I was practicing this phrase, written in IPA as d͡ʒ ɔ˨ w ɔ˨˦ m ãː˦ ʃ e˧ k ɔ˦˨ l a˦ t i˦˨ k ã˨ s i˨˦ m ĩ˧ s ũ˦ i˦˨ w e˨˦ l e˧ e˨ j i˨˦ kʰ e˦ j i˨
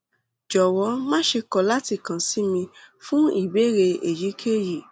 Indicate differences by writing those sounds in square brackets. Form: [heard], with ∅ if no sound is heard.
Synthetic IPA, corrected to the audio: d͡ʒ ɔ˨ w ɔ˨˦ m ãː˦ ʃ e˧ k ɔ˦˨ l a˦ t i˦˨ k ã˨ s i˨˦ m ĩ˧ [f] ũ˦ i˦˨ [b] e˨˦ [ɾ] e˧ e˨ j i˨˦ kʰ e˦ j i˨